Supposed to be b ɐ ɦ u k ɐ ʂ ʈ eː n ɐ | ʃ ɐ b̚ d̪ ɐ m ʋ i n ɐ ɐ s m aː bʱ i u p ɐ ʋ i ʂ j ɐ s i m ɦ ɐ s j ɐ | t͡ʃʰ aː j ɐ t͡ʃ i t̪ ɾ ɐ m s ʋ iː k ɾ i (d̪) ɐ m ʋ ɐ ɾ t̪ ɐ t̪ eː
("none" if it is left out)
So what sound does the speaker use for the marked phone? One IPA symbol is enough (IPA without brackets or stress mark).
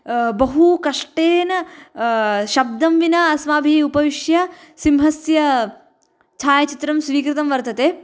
t̪